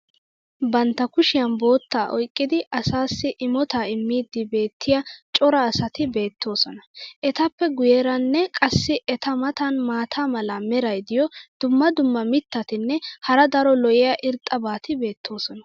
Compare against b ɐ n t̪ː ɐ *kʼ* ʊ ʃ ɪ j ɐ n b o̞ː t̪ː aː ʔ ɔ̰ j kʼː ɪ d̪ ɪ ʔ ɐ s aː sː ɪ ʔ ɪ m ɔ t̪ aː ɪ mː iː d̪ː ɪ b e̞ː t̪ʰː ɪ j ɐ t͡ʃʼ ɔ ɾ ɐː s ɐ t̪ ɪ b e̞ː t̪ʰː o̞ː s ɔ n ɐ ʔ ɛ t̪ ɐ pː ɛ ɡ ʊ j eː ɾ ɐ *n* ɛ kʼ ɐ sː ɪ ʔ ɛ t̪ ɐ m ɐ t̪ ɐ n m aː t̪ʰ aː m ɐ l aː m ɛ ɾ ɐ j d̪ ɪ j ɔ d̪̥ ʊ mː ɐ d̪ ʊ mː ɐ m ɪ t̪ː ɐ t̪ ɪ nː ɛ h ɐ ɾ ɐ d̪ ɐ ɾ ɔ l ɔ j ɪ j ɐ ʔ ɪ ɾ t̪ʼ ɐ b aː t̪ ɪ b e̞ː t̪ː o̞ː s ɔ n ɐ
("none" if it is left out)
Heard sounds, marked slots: k, nː

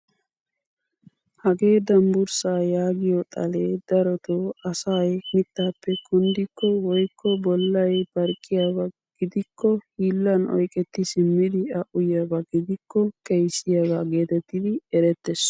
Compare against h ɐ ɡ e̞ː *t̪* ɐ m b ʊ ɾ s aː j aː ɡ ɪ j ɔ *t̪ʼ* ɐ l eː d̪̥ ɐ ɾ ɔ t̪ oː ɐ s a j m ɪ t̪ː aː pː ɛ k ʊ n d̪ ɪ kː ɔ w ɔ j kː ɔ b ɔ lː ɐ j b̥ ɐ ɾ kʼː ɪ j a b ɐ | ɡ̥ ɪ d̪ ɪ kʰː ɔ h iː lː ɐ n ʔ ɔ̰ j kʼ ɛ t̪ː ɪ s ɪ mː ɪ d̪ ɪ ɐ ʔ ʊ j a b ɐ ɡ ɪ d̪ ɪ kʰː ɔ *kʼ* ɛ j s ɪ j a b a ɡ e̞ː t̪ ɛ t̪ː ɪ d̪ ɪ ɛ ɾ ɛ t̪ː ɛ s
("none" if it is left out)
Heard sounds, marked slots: d̪, t̪ʼ, k

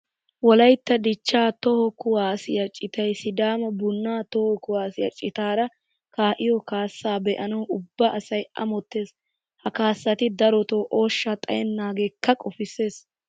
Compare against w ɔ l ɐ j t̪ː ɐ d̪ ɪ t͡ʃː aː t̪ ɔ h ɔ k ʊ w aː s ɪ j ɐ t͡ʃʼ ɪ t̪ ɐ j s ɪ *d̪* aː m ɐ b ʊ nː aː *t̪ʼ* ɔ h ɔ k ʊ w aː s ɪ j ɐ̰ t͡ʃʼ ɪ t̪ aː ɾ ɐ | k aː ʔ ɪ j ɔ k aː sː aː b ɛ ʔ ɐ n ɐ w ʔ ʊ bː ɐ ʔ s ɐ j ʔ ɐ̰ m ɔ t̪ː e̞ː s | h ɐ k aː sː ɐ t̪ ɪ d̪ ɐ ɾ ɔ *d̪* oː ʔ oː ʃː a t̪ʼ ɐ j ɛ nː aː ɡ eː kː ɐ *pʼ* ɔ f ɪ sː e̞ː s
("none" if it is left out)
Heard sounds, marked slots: d̪, t̪, t̪, kʼ

